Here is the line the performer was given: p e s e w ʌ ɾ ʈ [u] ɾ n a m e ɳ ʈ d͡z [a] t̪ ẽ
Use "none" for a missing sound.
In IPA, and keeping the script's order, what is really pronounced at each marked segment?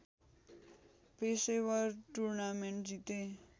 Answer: u, i

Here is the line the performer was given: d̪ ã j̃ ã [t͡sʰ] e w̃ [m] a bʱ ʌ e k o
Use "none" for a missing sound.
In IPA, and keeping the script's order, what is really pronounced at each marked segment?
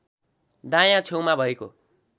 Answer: t͡sʰ, m

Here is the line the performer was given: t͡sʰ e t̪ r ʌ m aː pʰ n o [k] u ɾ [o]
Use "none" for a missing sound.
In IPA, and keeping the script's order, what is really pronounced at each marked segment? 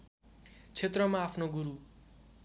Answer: ɡ, u

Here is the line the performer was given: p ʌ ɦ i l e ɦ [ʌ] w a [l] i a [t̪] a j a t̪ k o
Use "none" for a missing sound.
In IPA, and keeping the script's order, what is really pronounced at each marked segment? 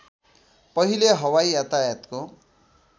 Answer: ʌ, none, t̪

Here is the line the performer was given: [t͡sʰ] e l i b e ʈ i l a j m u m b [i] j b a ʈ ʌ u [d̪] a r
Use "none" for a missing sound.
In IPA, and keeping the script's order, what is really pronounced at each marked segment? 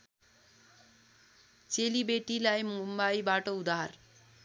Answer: t͡s, a, d̪

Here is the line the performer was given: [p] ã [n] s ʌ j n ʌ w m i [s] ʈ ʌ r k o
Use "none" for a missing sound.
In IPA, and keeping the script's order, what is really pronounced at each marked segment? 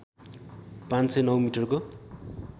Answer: p, n, none

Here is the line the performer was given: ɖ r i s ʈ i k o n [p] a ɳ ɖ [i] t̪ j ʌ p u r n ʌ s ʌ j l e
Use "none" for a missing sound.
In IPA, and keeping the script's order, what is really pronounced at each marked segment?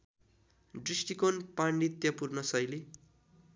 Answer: p, i

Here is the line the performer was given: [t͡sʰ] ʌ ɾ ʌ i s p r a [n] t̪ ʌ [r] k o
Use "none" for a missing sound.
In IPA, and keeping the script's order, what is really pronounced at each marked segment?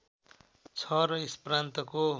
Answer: t͡sʰ, n, none

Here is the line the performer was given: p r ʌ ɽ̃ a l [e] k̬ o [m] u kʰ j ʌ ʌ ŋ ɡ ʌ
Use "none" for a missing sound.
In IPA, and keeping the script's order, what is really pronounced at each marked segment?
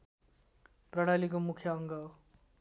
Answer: i, m

